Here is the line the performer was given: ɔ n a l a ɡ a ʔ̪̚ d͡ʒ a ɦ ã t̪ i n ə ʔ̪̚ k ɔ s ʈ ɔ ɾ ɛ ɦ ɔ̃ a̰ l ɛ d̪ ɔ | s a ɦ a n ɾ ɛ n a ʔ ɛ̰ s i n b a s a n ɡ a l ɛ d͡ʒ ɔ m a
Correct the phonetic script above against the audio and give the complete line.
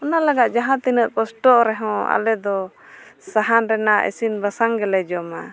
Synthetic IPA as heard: ɔ n a l a ɡ a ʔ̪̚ d͡ʒ a ɦ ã t̪ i n ə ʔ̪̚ k ɔ s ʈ ɔ ɾ ɛ ɦ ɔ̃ a̰ l ɛ d̪ ɔ | s a ɦ a n ɾ ɛ n a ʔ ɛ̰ s i n b a s a ŋ ɡ ɛ l ɛ d͡ʒ ɔ m a